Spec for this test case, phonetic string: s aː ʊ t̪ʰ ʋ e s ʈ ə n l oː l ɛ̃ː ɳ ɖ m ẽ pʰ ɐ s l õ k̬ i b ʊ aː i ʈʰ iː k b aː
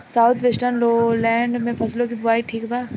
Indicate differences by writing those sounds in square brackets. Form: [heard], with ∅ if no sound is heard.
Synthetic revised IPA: s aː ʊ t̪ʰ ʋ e s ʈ ə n l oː l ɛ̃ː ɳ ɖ m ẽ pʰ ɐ s l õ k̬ i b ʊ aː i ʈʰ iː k b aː